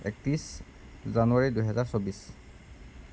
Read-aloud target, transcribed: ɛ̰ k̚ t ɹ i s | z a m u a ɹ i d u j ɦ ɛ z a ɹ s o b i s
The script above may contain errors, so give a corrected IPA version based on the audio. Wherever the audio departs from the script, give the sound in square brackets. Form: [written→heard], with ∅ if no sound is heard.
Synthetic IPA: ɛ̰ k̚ t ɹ i s | z a [m→n] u a ɹ i d u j ɦ ɛ z a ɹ s o b i s